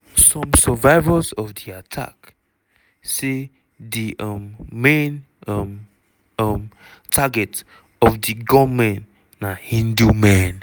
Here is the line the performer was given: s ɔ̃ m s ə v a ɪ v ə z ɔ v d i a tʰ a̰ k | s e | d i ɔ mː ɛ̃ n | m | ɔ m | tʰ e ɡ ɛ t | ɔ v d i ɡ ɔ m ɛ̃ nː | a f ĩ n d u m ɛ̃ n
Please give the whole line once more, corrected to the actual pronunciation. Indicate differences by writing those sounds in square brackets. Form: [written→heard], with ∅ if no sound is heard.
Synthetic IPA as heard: s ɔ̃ m s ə v a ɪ v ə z ɔ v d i a tʰ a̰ k | s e | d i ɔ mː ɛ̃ n | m | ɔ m | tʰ [e→a] ɡ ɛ t | ɔ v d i ɡ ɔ m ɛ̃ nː | a [f→h] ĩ n d u m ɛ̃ n